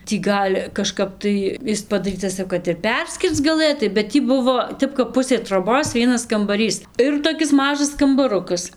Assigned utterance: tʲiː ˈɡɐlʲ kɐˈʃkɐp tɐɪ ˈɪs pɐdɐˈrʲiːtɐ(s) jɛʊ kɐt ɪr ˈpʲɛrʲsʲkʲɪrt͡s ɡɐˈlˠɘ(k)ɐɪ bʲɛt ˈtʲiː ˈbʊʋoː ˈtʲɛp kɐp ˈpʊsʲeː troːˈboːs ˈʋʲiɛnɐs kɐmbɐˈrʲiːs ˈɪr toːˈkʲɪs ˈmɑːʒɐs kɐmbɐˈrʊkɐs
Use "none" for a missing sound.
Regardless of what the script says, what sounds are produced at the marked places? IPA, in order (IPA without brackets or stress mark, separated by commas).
s, t